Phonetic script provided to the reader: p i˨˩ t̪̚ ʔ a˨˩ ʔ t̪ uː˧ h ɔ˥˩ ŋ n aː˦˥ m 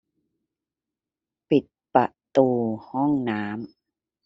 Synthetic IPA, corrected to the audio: p i˨˩ t̪̚ p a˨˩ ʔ t̪ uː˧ h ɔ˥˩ ŋ n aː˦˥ m